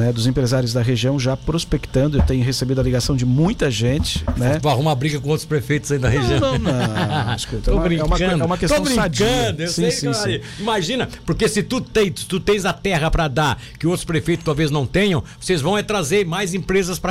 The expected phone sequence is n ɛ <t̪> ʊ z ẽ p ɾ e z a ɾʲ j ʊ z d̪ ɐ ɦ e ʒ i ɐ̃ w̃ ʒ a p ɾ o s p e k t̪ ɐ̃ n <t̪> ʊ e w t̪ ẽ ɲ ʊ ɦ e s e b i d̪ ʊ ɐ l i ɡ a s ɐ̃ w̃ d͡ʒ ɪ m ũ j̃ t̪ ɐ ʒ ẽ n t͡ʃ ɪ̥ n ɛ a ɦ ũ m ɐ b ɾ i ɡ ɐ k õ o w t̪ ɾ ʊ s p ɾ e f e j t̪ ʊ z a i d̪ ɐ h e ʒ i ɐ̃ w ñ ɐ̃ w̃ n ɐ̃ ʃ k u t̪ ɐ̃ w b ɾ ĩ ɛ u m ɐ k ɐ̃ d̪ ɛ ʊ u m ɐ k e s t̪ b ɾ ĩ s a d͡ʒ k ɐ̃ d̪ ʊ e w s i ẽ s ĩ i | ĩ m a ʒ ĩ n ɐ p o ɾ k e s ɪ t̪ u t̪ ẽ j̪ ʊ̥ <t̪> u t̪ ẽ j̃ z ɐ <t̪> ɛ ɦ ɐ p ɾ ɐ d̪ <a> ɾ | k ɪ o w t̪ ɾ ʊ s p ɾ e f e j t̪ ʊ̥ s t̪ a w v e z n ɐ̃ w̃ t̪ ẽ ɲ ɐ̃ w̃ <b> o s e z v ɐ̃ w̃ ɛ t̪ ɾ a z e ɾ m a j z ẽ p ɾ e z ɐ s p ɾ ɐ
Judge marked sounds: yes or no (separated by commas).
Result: no, no, yes, yes, yes, no